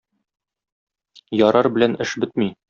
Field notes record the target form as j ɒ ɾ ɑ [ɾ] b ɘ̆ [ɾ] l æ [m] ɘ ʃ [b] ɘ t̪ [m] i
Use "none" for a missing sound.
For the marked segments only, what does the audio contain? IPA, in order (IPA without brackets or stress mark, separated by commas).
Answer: ɾ, none, n, b, m